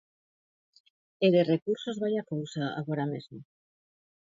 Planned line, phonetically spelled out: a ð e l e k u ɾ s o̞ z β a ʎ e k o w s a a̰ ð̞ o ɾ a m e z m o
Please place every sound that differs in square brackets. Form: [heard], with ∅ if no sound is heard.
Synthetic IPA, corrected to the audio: [e] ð e [r] e k u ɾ s o̞ z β a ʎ [a] k o w s a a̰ [ɣ̞] o ɾ a m e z m o